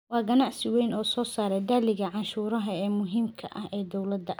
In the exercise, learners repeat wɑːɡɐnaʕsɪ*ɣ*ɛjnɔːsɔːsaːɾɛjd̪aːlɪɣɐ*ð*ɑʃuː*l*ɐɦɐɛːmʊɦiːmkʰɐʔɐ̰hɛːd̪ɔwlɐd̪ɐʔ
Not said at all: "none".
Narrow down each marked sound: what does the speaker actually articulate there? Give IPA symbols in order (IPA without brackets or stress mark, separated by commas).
w, ʕ, ɾ